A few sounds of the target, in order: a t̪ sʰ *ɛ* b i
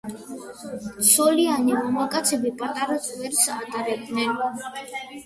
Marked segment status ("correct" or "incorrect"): correct